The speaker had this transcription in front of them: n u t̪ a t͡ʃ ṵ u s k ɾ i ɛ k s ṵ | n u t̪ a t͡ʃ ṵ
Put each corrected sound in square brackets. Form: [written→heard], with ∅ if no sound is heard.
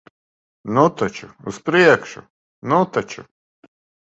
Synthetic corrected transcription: n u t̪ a t͡ʃ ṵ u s [k→p] ɾ i ɛ k [s→ʃ] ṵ | n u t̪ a t͡ʃ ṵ